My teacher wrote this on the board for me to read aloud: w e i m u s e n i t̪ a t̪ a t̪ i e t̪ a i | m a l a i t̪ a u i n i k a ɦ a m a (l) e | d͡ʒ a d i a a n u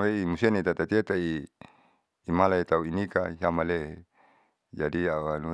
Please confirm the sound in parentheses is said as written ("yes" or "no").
yes